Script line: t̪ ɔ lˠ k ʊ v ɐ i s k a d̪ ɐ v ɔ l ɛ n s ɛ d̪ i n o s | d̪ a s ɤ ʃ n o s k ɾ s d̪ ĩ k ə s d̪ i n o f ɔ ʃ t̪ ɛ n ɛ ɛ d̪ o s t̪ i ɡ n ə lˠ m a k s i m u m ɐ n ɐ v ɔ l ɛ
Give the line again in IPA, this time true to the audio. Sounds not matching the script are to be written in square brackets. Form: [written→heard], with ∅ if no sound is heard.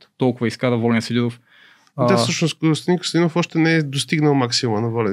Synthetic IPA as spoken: t̪ ɔ lˠ k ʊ v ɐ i s k a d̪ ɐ v ɔ l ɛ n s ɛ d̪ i n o [s→f] | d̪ a s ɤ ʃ n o s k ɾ s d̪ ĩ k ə s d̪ i n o f ɔ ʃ t̪ ɛ n ɛ ɛ d̪ o s t̪ i ɡ n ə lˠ m a k s i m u m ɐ n ɐ v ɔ l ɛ